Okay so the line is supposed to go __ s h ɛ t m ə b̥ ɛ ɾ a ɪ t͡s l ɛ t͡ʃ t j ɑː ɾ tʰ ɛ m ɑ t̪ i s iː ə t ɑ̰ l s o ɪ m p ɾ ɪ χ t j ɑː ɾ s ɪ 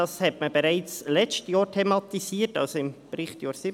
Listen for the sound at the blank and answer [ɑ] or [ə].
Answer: ɑ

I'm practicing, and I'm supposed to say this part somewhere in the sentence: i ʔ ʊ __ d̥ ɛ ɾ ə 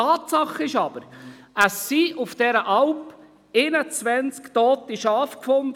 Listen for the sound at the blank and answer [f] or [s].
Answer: f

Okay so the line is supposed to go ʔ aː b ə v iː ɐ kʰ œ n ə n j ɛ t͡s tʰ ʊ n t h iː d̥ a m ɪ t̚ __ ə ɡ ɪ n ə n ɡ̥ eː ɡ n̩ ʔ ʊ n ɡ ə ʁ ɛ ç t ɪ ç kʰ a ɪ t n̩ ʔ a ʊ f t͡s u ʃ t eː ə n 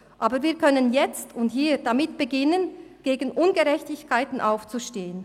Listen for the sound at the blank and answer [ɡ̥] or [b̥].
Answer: b̥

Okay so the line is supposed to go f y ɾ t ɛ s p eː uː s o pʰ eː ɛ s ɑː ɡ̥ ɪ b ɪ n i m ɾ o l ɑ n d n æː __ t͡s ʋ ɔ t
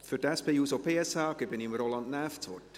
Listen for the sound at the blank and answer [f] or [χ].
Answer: f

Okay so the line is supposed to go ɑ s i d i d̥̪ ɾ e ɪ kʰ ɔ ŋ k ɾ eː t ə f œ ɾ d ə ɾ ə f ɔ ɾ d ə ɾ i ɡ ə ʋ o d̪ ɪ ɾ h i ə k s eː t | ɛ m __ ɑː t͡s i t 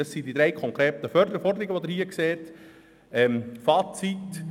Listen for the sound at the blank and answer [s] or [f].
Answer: f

